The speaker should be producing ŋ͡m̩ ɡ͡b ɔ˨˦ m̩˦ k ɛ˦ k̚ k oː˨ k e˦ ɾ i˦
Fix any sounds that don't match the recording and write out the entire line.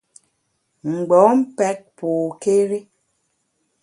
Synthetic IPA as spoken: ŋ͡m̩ ɡ͡b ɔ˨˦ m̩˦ p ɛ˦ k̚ p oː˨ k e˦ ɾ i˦